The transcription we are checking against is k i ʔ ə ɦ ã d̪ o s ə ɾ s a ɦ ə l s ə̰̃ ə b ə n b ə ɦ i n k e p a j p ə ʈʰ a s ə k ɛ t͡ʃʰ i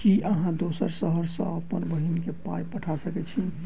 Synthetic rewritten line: k i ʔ ə ɦ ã d̪ o s ə ɾ s ə ɦ ə ɾ s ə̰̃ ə p ə n b ə ɦ i n k e p a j p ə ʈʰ a s ə k ɛ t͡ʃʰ i